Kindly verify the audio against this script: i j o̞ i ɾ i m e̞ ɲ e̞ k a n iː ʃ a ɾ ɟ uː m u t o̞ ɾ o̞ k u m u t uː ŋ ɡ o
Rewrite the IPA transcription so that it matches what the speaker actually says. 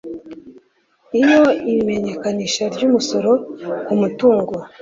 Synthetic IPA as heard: i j o̞ i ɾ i m e̞ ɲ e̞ k a n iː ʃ a ɾ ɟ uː m u s o̞ ɾ o̞ k u m u t uː ŋ ɡ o